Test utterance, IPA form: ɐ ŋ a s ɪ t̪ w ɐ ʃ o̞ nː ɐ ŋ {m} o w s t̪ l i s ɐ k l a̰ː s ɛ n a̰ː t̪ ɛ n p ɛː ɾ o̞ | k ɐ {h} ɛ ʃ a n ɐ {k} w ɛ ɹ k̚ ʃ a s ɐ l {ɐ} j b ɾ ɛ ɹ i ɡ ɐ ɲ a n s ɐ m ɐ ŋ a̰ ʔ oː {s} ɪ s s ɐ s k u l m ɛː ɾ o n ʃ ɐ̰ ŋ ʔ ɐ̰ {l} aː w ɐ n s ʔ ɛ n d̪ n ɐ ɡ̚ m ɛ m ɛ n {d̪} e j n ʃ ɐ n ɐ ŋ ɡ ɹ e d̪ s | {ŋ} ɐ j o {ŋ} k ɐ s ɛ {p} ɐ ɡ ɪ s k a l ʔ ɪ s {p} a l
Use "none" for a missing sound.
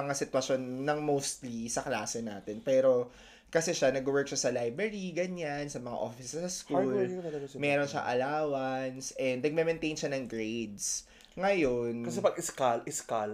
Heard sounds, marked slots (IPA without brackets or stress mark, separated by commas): m, s, ɡ, a, f, l, t̪, ŋ, n, p, k